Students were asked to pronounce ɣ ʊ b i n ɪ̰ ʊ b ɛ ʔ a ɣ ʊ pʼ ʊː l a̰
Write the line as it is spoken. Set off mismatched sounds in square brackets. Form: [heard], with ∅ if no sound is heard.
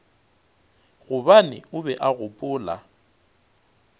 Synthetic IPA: ɣ ʊ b [a] n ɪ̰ ʊ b ɛ ʔ a ɣ ʊ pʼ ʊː l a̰